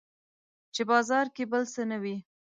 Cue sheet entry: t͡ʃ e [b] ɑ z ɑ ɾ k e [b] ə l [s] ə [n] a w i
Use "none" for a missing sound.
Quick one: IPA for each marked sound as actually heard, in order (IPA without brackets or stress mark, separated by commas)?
b, b, s, n